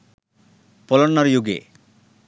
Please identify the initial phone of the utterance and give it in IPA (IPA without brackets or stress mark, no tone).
p